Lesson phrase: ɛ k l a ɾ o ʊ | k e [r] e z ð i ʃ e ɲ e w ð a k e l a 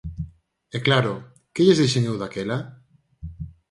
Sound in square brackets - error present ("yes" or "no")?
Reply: yes